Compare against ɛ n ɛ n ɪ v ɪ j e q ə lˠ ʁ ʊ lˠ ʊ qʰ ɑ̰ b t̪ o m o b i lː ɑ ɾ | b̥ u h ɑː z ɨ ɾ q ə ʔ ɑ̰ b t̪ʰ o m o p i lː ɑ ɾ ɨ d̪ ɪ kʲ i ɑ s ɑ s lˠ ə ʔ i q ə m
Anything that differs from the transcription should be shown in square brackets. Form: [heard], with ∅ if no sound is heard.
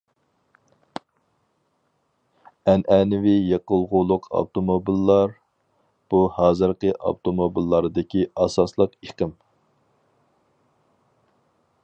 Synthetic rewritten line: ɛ n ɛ n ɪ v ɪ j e q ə lˠ ʁ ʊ lˠ ʊ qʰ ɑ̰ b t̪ o m o b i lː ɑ ɾ | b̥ u h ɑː z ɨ ɾ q ə ʔ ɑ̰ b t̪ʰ o m o [b] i lː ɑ ɾ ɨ d̪ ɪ kʲ i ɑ s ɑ s lˠ ə [q] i q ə m